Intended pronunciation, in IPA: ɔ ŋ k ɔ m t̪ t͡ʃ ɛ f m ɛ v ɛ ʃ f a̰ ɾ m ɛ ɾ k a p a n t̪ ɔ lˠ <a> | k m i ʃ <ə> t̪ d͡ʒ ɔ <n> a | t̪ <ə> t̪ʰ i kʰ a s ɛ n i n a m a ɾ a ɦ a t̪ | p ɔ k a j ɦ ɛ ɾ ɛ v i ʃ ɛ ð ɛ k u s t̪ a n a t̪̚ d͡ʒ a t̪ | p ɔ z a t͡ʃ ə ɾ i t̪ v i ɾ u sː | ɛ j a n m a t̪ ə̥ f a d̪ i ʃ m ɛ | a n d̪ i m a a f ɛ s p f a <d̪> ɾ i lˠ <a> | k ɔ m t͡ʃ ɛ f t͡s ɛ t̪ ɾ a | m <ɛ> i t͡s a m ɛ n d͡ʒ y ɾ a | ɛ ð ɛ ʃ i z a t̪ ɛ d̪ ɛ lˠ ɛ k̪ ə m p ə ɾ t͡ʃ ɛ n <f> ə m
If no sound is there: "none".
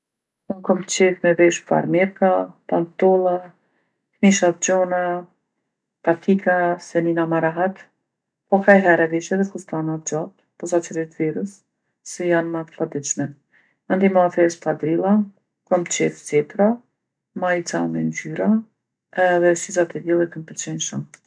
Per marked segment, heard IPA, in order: a, a, n, a, d̪, a, a, ʃ

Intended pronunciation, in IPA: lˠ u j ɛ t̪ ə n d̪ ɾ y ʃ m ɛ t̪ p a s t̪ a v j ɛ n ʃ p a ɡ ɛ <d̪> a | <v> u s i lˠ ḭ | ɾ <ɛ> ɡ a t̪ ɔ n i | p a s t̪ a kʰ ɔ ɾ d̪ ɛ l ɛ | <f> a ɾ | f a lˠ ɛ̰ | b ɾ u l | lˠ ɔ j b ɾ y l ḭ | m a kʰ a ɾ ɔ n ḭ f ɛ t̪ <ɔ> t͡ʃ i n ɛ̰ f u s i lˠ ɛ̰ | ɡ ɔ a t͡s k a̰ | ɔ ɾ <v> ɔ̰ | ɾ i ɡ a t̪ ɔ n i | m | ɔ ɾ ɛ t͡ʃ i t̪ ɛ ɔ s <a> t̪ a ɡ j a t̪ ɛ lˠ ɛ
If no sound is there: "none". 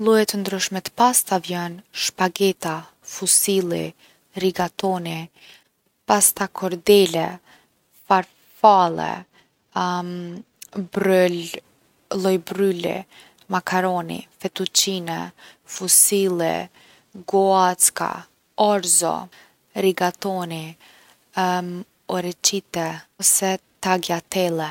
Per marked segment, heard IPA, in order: t̪, f, i, f, u, z, ɛ

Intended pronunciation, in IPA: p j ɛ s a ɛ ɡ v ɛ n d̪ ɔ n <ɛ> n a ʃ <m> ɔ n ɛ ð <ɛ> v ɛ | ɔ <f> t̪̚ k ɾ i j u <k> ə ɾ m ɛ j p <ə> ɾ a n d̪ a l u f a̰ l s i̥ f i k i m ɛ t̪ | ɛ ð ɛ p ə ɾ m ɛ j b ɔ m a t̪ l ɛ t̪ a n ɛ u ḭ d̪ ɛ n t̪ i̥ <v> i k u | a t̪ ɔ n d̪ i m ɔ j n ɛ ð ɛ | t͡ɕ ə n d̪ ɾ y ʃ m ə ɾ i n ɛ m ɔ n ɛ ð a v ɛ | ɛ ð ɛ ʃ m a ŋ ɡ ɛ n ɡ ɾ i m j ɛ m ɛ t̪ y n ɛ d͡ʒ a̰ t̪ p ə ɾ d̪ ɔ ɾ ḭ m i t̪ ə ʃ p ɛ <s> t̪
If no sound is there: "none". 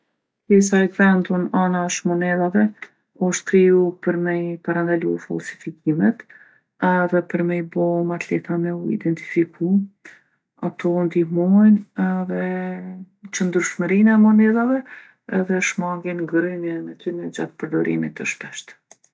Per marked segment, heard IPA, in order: a, m, a, ʃ, p, a, f, ʃ

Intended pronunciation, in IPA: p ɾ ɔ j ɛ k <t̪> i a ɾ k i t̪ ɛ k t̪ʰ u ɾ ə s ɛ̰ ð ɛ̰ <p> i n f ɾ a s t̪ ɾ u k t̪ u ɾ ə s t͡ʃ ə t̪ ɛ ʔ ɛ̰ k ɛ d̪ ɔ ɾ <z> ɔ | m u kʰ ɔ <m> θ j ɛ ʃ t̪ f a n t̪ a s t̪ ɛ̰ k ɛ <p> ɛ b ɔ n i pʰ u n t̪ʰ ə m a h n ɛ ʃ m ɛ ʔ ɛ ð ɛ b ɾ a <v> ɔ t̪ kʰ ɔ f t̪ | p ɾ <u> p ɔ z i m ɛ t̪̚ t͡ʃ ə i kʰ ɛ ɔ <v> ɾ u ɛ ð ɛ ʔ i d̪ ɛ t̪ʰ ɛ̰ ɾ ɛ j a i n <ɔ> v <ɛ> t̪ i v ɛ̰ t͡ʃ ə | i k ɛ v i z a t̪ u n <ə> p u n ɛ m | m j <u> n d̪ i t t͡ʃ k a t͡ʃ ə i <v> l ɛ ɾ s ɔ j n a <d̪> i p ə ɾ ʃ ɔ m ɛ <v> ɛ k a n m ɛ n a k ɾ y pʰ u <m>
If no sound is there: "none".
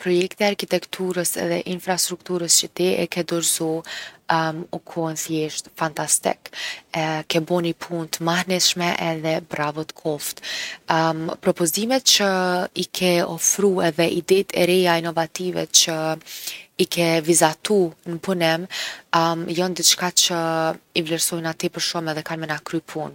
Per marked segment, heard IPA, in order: t̪, ʔ, z, n, k, v, ɔ, f, ɔ, a, ə, ɔ, v, t̪, ð, n

